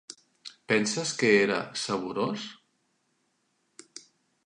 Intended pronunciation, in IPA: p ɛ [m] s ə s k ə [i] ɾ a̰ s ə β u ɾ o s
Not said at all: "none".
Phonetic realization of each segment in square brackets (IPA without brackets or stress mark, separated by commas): n, e